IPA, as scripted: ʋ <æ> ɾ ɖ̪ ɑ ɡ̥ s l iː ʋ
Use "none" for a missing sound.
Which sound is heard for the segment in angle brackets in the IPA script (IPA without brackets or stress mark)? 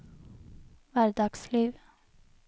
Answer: æ